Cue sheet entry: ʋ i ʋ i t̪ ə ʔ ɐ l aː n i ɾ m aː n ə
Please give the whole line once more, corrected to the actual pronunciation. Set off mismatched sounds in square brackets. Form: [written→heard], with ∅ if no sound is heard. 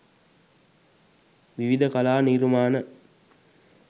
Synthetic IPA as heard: ʋ i ʋ i [t̪→d̪] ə [ʔ→k] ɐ l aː n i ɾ m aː n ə